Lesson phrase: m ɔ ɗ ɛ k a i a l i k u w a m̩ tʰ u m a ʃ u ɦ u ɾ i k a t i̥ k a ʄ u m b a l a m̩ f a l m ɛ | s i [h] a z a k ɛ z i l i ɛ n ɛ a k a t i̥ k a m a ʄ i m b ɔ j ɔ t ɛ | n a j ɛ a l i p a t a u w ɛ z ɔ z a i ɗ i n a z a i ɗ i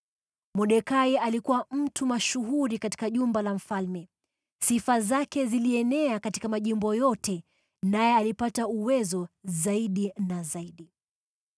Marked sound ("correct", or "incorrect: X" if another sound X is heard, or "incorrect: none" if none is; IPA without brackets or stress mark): incorrect: f